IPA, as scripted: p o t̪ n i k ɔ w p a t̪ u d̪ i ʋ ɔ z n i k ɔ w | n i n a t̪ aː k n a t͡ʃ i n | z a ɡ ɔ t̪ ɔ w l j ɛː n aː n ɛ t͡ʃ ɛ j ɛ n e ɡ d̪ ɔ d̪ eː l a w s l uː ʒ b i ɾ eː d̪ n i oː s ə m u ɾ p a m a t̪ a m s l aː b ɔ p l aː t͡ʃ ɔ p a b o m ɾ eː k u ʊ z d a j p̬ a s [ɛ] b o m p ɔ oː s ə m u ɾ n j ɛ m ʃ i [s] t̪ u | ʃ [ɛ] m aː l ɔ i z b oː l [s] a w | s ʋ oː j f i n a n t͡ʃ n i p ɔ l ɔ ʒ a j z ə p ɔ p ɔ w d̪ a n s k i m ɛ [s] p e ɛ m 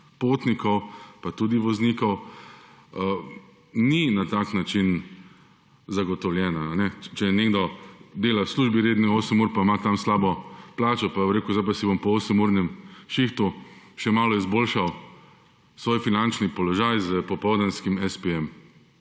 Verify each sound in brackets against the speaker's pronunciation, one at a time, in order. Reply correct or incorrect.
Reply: incorrect: i, incorrect: x, correct, incorrect: ʃ, correct

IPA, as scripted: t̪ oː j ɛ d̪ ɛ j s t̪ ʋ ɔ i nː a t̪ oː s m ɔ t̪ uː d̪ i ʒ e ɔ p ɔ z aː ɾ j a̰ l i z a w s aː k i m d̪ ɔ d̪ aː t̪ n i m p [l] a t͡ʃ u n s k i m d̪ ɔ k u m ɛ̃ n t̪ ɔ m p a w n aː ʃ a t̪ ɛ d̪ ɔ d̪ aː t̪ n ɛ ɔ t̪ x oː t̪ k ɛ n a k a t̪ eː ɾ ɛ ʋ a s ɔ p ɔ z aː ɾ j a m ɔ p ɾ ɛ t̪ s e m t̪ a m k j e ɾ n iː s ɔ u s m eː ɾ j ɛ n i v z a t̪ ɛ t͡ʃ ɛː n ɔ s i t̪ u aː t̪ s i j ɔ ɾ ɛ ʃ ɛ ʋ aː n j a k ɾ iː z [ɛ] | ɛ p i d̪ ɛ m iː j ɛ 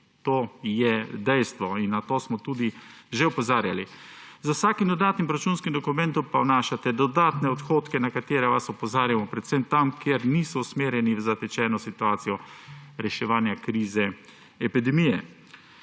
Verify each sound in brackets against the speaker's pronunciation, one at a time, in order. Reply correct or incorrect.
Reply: incorrect: ɾ, correct

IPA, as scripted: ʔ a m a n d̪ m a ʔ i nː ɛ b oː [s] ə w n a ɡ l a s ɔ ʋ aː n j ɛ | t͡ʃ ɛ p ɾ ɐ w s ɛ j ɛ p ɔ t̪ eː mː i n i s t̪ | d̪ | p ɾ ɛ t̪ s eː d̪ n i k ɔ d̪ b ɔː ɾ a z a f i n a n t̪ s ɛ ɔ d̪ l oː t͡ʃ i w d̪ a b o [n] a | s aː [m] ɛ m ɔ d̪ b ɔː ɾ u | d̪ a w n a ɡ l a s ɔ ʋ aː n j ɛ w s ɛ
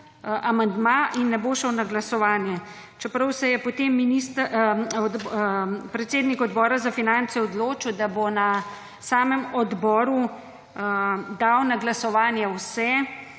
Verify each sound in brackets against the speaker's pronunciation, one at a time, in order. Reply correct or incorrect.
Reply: incorrect: ʃ, correct, correct

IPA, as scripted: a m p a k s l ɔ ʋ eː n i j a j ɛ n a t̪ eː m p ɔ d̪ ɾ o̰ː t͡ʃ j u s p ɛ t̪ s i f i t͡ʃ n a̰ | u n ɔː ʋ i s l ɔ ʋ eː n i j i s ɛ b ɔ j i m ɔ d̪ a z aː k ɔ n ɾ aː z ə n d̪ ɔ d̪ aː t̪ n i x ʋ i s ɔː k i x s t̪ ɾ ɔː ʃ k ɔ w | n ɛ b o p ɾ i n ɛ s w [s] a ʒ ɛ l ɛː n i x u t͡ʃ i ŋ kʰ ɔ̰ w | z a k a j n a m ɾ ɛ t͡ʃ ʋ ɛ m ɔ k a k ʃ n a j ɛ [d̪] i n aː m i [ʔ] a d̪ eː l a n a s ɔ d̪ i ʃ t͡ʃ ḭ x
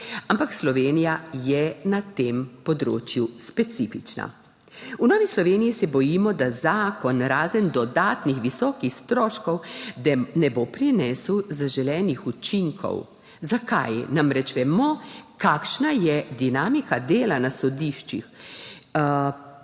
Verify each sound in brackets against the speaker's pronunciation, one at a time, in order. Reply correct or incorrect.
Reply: incorrect: z, correct, incorrect: k

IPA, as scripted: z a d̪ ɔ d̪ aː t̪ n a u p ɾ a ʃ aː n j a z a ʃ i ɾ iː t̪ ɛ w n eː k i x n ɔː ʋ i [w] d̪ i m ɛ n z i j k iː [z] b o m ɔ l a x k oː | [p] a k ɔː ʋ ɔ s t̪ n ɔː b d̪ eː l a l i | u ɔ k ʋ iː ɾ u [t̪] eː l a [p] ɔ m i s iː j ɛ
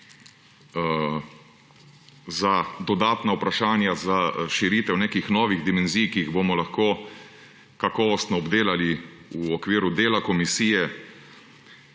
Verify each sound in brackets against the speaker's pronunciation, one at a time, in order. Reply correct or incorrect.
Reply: incorrect: ɣ, incorrect: ɣ, incorrect: k, incorrect: d̪, incorrect: k

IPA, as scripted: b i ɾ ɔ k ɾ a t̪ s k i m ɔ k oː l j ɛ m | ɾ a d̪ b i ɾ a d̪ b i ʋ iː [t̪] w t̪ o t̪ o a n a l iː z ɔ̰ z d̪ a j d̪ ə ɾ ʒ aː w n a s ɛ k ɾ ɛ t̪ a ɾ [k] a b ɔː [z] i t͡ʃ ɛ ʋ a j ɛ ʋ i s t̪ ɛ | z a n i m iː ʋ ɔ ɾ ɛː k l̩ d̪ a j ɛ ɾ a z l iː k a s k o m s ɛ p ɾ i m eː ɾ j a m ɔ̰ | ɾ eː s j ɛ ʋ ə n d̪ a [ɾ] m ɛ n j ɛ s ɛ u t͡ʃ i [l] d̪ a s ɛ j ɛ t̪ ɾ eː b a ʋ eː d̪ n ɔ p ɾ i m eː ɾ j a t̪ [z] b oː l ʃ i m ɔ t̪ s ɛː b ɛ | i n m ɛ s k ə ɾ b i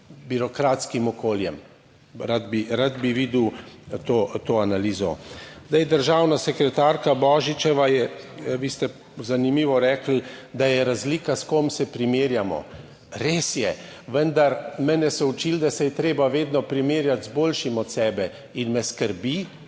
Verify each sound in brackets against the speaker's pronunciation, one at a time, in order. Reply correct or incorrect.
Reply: incorrect: d̪, correct, incorrect: ʒ, correct, correct, correct

